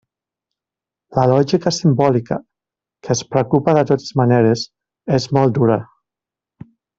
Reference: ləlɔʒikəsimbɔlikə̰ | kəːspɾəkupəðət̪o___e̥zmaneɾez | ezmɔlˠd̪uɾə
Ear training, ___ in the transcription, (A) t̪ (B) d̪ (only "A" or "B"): A